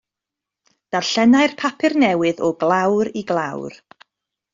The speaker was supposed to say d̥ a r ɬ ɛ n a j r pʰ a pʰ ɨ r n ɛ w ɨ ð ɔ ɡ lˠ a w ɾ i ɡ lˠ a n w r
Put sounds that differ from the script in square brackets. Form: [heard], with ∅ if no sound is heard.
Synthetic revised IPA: d̥ a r ɬ ɛ n a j r pʰ a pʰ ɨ r n ɛ w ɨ ð ɔ ɡ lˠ a w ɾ i ɡ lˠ a [∅] w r